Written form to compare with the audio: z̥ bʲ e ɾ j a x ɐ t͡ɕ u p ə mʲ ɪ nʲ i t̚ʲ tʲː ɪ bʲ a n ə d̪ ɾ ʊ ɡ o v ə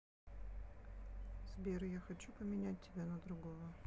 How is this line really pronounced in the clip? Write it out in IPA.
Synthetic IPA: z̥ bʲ e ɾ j a x ɐ t͡ɕ u p ə mʲ ɪ nʲ æ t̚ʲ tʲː ɪ bʲ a n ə d̪ ɾ ʊ ɡ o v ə